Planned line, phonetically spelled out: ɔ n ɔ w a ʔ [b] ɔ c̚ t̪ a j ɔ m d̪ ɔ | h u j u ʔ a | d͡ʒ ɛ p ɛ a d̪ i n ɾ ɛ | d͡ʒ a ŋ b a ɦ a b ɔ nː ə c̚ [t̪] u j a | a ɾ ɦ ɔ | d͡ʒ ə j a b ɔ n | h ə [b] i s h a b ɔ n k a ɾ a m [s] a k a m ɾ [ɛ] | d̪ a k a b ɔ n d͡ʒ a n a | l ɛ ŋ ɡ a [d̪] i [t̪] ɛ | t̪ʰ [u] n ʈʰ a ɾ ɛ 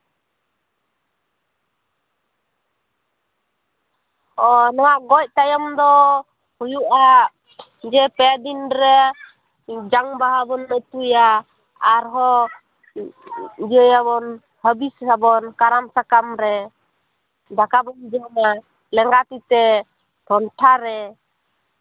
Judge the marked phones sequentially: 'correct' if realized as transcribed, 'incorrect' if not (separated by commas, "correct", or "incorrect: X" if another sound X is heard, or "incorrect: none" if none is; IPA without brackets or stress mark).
incorrect: ɡ, correct, correct, correct, correct, incorrect: t̪, correct, incorrect: ɔ